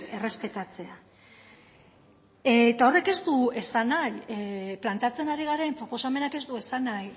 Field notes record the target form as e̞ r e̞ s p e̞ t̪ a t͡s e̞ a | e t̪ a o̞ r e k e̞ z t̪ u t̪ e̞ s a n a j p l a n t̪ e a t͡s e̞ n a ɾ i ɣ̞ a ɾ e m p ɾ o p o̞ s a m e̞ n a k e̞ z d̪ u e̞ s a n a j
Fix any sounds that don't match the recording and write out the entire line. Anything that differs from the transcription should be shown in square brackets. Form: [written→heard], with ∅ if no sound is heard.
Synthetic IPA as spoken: e̞ r e̞ s p e̞ t̪ a t͡s e̞ a | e t̪ a o̞ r e k e̞ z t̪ u [t̪→∅] e̞ s a n a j p l a n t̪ e a t͡s e̞ n a ɾ i ɣ̞ a ɾ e m p ɾ o p o̞ s a m e̞ n a k e̞ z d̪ u e̞ s a n a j